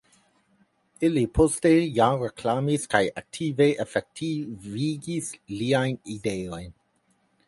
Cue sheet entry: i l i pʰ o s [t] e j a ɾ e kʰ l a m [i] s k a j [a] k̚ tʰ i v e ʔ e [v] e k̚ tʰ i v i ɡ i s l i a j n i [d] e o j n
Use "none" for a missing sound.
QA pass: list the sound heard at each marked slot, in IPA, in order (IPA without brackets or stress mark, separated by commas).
t, i, a, f, d